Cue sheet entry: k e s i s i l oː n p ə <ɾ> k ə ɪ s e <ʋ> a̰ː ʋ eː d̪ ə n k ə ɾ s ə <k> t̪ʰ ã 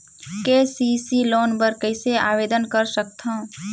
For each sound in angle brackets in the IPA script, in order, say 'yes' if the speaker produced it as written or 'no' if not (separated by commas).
yes, no, yes